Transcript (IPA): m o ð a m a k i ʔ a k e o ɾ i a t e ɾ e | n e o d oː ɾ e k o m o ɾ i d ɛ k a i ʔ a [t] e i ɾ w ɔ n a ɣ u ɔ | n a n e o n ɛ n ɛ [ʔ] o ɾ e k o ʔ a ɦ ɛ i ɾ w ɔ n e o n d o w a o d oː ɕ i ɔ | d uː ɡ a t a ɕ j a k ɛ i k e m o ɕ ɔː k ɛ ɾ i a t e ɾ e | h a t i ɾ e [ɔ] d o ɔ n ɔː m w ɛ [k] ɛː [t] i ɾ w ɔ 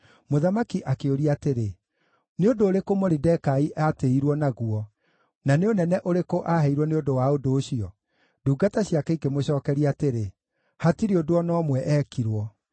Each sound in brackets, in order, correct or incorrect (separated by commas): correct, correct, incorrect, incorrect, incorrect